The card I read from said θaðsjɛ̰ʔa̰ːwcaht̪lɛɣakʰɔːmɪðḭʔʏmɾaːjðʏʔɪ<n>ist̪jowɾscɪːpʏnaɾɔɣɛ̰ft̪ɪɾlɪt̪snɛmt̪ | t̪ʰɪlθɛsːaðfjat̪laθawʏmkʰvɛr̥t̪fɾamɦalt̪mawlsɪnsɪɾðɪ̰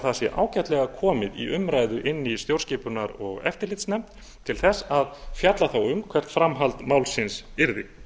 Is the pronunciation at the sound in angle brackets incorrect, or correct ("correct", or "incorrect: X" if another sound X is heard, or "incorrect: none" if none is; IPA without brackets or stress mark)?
incorrect: nː